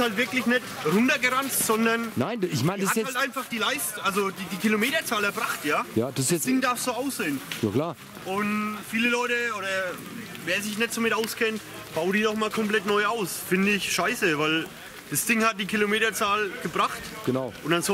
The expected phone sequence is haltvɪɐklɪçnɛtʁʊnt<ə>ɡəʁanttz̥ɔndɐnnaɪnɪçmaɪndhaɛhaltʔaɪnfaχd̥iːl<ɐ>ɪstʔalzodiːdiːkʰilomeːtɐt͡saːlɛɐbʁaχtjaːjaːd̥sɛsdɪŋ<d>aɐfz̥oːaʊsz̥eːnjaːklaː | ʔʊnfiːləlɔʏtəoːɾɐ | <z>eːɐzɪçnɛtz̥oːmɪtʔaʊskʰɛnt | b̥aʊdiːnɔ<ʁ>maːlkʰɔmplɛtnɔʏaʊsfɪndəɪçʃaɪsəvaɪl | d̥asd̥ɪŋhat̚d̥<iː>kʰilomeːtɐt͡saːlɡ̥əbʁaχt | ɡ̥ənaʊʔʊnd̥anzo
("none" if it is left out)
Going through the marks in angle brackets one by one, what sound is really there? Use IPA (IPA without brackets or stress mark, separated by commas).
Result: ɐ, a, d, v, χ, iː